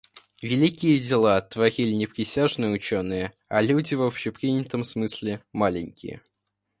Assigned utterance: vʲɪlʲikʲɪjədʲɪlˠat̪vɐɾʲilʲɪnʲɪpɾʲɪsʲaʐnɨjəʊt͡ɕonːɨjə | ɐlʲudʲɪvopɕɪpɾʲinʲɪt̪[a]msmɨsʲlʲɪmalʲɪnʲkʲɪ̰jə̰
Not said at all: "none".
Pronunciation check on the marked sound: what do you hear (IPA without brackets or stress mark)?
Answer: ə